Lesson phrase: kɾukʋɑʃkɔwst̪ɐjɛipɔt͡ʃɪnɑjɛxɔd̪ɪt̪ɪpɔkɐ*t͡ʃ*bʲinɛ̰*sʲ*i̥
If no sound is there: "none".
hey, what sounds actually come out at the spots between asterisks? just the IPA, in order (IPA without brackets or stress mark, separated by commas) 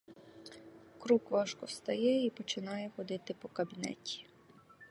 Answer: none, tʲ